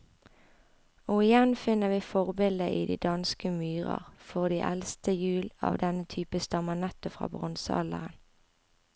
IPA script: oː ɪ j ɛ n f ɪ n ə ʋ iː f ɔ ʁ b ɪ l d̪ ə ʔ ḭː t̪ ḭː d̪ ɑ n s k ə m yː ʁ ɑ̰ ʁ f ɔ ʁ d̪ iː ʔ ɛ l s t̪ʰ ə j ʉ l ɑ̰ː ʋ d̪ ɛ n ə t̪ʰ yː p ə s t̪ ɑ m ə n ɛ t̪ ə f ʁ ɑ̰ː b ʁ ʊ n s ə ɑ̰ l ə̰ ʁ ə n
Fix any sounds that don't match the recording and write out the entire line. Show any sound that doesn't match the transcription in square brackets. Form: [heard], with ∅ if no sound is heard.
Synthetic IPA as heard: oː ɪ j ɛ n f ɪ n ə ʋ iː f ɔ ʁ b ɪ l d̪ ə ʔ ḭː [d̪] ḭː d̪ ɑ n s k ə m yː ʁ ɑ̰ ʁ f ɔ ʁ d̪ iː ʔ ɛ l s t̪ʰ ə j [ʉː] l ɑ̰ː ʋ d̪ ɛ n ə t̪ʰ yː p ə s t̪ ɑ m ə n ɛ t̪ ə f ʁ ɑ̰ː b ʁ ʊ n s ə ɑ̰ l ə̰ ʁ ə n